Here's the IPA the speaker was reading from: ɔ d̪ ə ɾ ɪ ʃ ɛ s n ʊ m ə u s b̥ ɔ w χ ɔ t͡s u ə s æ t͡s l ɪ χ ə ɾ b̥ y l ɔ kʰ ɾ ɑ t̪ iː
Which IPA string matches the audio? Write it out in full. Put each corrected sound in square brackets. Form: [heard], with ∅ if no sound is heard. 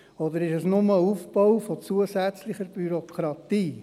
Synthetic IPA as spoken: ɔ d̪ ə ɾ ɪ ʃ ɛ s n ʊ m ə u [f] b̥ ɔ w [f] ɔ t͡s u ə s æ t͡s l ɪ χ ə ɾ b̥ y [ɾ] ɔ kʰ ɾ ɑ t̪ iː